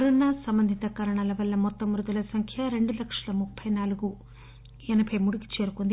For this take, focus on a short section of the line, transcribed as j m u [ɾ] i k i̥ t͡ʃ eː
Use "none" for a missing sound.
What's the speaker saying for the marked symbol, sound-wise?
ɽ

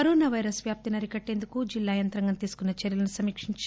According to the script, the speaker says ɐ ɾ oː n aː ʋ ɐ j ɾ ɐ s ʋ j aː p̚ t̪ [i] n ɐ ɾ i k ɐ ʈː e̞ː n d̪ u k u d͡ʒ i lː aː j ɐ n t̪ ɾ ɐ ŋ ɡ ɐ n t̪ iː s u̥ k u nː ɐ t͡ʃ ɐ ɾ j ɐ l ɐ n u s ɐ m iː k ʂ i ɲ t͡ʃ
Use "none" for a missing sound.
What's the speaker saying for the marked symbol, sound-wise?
i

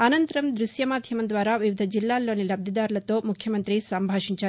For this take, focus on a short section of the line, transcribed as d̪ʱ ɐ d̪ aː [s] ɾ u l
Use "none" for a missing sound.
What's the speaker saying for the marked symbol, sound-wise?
none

